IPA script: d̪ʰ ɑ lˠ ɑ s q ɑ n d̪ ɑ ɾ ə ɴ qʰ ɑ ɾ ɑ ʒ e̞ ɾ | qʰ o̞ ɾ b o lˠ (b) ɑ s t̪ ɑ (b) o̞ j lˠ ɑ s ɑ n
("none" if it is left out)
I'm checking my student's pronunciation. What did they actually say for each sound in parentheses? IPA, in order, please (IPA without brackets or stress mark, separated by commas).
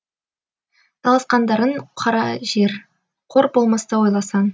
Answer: m, w